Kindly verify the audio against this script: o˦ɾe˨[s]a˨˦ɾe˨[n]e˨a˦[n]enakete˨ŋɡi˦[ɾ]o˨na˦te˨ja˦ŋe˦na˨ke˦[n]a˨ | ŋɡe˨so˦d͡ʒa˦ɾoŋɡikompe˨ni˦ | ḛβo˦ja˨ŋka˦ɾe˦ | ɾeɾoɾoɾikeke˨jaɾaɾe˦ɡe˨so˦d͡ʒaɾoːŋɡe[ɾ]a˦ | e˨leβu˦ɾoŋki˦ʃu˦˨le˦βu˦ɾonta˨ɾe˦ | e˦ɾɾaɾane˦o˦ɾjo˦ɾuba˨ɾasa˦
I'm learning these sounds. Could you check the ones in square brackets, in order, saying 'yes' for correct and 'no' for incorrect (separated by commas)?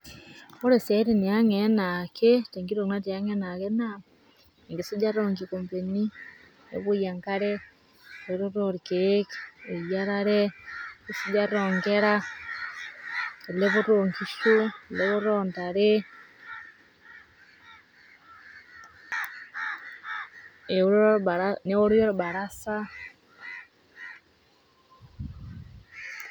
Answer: yes, yes, no, yes, yes, yes